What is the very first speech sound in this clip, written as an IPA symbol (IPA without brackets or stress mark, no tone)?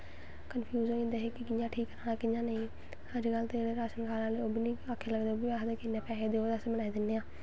k